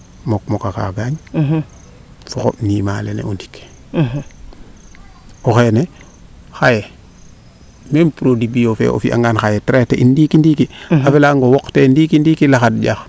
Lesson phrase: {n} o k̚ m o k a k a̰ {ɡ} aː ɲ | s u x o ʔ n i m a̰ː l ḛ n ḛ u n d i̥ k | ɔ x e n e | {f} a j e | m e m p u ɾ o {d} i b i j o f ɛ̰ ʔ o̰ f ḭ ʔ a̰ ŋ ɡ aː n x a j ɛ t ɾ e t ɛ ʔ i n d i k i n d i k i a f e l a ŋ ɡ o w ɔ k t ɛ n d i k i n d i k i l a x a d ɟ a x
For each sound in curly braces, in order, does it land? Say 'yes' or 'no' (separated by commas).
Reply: no, yes, no, yes